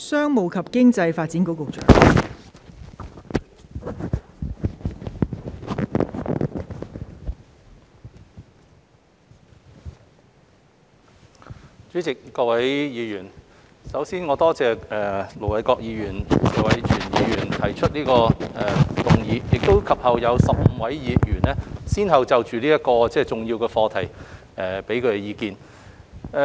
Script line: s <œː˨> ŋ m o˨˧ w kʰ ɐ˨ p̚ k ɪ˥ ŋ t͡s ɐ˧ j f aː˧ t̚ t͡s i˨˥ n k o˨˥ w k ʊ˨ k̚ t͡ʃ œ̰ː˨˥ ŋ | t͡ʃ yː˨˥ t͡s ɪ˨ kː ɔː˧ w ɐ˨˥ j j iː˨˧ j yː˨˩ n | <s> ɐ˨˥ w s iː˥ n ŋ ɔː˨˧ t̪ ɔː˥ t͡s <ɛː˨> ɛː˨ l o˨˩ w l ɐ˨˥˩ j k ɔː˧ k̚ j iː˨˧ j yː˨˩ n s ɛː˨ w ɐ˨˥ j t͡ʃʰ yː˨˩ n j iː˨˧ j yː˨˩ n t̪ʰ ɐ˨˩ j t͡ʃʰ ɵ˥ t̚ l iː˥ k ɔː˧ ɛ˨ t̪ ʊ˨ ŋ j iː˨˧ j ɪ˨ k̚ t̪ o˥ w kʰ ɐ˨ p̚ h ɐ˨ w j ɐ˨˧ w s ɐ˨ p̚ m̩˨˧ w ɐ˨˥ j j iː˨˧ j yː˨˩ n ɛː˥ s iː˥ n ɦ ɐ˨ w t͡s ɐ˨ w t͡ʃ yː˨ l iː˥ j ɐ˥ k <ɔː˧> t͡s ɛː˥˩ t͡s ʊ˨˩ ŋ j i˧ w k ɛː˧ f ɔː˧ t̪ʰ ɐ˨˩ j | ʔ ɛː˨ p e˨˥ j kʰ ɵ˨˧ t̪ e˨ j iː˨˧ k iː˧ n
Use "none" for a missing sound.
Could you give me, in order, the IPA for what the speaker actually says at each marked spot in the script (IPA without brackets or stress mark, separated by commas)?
œː˥, s, ɛː˨, ɔː˧